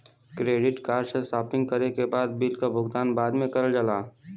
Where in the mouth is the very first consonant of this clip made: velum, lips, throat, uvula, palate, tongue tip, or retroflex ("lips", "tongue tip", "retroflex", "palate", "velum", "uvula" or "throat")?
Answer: velum